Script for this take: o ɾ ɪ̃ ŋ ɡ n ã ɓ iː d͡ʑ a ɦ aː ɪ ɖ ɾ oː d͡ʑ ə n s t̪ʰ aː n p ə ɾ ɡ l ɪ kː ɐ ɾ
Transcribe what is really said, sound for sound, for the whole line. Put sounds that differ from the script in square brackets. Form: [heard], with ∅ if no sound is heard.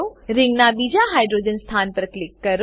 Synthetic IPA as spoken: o ɾ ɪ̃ ŋ ɡ n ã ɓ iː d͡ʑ a ɦ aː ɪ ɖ ɾ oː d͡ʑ ə n s t̪ʰ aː n p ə ɾ [k] l ɪ kː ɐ ɾ